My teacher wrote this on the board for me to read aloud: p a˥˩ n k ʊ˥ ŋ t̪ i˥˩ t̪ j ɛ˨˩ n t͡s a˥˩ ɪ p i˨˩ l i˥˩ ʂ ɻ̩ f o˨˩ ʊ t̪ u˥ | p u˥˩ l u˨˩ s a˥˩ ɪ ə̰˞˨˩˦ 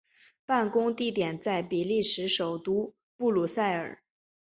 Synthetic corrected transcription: p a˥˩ n k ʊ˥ ŋ t̪ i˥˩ t̪ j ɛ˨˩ n t͡s a˥˩ ɪ p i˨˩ l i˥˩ ʂ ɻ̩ ʂ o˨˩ ʊ t̪ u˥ | p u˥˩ l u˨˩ s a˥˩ ɪ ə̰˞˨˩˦